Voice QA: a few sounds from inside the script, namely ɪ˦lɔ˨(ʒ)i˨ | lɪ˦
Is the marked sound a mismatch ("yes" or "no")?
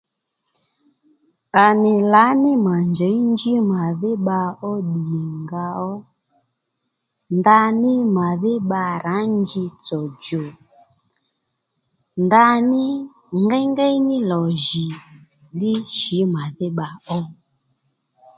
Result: no